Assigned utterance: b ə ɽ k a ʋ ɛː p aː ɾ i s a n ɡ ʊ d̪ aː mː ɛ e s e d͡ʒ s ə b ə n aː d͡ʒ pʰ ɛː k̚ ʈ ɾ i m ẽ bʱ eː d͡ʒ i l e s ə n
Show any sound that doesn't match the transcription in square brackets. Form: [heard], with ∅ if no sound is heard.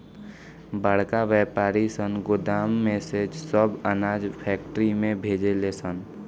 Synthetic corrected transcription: b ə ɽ k a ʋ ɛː p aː ɾ i s [ə] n ɡ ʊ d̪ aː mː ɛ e s e d͡ʒ s ə b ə n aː d͡ʒ pʰ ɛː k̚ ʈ ɾ i m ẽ bʱ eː d͡ʒ [e] l e s ə n